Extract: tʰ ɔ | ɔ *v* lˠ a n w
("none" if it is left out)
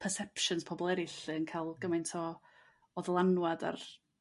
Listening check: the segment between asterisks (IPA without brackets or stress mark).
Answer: ð